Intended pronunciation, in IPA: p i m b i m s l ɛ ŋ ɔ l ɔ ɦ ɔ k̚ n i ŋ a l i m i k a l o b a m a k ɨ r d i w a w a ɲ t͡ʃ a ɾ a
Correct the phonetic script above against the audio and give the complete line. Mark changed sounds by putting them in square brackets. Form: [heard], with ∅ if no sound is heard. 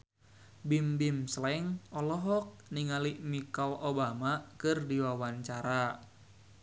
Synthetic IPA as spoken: [b] i m b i m s l ɛ ŋ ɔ l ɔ ɦ ɔ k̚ n i ŋ a l i m i k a l o b a m a k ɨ r d i w a w a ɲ t͡ʃ a ɾ a